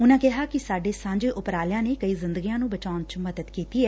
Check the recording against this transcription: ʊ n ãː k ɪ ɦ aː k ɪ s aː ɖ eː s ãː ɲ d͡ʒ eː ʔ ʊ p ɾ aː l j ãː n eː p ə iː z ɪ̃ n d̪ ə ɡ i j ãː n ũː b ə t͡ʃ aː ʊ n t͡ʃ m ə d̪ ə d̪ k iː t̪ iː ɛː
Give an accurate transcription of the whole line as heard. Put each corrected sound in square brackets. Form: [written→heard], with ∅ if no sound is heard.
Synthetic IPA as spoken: ʊ n ãː k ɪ ɦ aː k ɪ s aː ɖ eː s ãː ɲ d͡ʒ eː ʔ ʊ p ɾ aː l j ãː n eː [p→k] ə iː z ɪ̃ n d̪ ə ɡ i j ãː n ũː b ə t͡ʃ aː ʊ n t͡ʃ m ə d̪ ə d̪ k iː t̪ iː ɛː